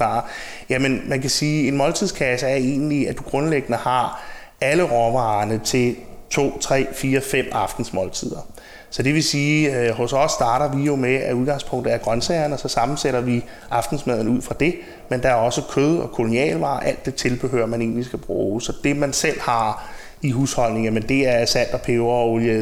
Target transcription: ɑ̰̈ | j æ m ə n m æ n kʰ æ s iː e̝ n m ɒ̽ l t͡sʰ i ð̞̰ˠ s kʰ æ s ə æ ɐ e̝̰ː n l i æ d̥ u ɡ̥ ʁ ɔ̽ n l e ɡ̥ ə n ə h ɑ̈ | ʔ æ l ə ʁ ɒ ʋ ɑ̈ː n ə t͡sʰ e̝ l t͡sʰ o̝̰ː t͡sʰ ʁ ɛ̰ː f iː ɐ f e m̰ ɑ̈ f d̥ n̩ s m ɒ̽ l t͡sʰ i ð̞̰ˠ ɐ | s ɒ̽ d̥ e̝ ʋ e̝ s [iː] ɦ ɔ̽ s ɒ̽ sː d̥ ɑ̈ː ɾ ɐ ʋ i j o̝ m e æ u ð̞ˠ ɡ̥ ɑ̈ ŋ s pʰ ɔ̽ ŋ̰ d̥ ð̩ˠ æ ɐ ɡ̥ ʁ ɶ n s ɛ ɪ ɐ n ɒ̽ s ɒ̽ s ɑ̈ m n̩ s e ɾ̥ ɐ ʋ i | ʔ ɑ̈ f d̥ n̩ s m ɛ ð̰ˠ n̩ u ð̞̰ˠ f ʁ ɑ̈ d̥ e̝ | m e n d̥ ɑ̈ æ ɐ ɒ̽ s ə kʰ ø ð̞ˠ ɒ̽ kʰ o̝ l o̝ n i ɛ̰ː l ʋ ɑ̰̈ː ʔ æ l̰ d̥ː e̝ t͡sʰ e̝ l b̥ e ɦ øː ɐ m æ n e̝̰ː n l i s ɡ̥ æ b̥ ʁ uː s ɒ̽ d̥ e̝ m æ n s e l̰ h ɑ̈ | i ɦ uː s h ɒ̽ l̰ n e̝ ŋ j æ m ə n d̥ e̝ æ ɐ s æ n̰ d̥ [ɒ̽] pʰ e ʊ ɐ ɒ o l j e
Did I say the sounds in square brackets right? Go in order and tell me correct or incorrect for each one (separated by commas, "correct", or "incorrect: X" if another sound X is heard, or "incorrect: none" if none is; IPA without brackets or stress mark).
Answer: correct, correct